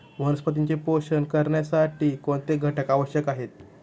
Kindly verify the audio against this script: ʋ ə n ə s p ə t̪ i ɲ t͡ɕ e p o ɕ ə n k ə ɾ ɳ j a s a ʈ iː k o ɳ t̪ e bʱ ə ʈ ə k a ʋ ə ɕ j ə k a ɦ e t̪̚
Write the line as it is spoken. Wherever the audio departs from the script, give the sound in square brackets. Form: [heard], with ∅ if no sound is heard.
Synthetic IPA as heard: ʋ ə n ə s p ə t̪ i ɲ t͡ɕ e p o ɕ ə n k ə ɾ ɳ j a s a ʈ iː k o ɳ t̪ e [ɡʱ] ə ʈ ə k a ʋ ə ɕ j ə k a ɦ e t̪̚

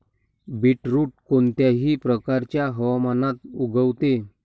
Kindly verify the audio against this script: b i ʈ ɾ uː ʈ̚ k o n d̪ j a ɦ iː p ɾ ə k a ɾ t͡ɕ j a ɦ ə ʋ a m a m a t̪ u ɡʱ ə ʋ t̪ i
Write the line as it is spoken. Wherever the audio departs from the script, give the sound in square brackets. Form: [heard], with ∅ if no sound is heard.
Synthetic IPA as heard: b i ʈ ɾ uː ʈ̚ k o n [t̪] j a ɦ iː p ɾ ə k a ɾ t͡ɕ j a ɦ ə ʋ a m a [n] a t̪ u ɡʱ ə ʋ t̪ [e]

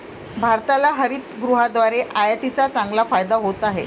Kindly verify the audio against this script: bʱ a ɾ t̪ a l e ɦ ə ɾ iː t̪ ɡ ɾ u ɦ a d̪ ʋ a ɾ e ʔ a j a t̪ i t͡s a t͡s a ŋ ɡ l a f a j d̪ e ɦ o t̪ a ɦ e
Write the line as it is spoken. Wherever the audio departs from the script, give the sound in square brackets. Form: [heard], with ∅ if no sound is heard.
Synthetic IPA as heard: bʱ a ɾ t̪ a l [a] ɦ ə ɾ iː t̪ ɡ ɾ u ɦ a d̪ ʋ a ɾ e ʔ a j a t̪ i t͡s a t͡s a ŋ ɡ l a f a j d̪ [a] ɦ o t̪ a ɦ e

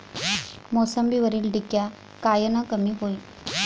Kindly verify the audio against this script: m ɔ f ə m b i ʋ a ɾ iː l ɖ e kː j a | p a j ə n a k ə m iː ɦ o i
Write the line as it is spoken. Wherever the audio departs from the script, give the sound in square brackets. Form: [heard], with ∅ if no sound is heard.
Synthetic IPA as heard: m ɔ [s] ə m b i ʋ [ə] ɾ iː l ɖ [i] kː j a | [k] a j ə n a k ə m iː ɦ o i

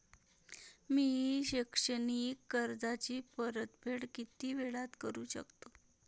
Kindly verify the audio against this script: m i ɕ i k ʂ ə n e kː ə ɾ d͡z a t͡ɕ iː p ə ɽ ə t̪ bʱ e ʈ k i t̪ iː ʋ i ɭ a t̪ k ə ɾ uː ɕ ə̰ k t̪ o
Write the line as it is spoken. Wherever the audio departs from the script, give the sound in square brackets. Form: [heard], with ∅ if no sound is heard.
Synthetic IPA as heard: m i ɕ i k ʂ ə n [i] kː ə ɾ d͡z a t͡ɕ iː p ə [ɾ] ə t̪ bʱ e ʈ k i t̪ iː ʋ [e] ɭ a t̪ k ə ɾ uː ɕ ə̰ k t̪ o

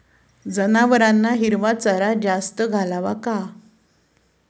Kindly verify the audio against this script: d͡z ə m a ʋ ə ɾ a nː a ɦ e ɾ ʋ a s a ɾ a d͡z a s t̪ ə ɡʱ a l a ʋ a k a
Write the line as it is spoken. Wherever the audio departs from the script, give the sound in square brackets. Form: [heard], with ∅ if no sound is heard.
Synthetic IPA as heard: d͡z ə [n] a ʋ ə ɾ a nː a ɦ [i] ɾ ʋ a [t͡s] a ɾ a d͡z a s t̪ ə ɡʱ a l a ʋ a k a

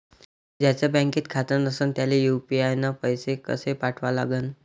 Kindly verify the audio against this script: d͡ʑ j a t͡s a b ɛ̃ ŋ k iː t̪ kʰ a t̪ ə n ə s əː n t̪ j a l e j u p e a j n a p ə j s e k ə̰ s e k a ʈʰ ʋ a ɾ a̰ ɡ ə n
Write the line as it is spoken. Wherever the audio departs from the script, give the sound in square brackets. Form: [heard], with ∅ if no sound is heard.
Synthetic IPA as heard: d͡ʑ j a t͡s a b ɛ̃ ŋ k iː t̪ kʰ a t̪ ə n ə s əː n t̪ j a l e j u p [i] a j n a p ə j s e k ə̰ s e [p] a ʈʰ ʋ a [l] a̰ ɡ ə n

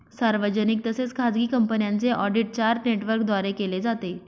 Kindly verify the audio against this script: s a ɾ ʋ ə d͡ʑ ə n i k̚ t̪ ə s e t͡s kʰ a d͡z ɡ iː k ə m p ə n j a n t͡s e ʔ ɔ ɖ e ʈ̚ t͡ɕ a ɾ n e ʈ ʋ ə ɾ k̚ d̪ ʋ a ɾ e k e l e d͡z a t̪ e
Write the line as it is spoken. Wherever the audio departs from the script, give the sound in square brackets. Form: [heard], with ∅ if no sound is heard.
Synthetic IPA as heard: s a ɾ ʋ ə d͡ʑ ə n i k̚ t̪ ə s e t͡s kʰ a d͡z ɡ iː k ə m p ə n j a n t͡s e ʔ ɔ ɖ [i] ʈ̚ t͡ɕ a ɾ n e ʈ ʋ ə ɾ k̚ d̪ ʋ a ɾ e k e l e d͡z a t̪ e

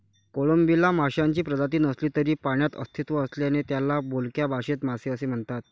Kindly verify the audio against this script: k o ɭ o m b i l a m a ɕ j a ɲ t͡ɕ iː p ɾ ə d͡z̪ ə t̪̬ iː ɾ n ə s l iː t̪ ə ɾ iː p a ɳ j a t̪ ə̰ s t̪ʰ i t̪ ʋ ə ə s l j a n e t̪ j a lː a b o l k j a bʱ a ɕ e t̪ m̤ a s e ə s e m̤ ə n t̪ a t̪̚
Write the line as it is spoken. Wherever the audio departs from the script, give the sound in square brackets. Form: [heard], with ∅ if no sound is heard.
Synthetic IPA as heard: k o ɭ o m b i l a m a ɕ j a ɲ t͡ɕ iː p ɾ ə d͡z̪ [a] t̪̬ iː [∅] n ə s l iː t̪ ə ɾ iː p a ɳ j a t̪ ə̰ s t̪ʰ i t̪ ʋ ə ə s l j a n e t̪ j a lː a b o l k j a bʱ a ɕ e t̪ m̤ a s e ə s e m̤ ə [ɳ] t̪ a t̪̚

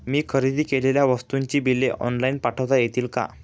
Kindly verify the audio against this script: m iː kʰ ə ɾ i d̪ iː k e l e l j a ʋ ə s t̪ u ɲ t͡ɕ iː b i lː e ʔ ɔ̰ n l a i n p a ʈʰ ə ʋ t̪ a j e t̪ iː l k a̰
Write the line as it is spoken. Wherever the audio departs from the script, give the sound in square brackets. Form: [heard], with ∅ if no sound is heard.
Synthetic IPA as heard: m iː kʰ ə ɾ i d̪ iː k e l e l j a ʋ ə s t̪ u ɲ t͡ɕ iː b i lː e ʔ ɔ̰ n l a i n p a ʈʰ ə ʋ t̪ a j e t̪ iː l k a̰

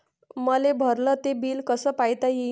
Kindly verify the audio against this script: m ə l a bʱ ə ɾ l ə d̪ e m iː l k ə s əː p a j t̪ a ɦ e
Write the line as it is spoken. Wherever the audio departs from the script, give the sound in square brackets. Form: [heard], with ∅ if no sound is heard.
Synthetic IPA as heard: m ə l [e] bʱ ə ɾ l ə [t̪] e [b] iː l k ə s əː p a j t̪ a ɦ [i]

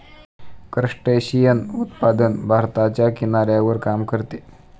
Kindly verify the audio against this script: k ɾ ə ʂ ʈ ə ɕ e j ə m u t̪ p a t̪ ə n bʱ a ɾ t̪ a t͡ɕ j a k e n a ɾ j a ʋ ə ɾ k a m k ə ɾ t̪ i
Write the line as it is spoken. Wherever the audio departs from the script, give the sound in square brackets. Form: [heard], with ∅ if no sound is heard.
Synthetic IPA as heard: k ɾ ə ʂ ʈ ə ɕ [i] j ə [n] u t̪ p a [d̪] ə n bʱ a ɾ t̪ a t͡ɕ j a k [i] n a ɾ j a ʋ ə ɾ k a m k ə ɾ t̪ [e]

